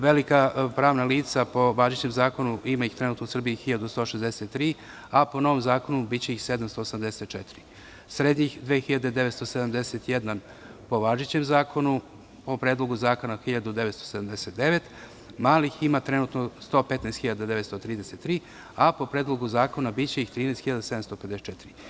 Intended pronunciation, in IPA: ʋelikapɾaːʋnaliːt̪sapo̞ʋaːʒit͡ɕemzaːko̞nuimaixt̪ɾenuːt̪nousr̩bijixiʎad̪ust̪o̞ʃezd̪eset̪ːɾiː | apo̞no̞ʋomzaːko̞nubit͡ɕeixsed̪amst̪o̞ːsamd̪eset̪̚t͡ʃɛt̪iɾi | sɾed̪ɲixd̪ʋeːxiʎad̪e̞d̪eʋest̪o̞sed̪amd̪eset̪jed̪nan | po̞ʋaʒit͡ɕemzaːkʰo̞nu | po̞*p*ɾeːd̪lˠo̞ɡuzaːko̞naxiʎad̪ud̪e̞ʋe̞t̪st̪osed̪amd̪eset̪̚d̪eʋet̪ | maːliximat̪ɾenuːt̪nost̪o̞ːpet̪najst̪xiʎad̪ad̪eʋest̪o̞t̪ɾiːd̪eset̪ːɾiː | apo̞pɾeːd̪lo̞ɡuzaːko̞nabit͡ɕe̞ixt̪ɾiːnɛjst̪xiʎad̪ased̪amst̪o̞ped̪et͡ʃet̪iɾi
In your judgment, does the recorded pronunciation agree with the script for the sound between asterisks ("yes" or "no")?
yes